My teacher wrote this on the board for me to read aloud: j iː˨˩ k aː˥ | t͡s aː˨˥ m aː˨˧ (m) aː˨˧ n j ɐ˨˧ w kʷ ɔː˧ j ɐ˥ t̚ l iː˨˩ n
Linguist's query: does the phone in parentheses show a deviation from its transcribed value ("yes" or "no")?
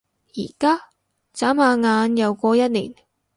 yes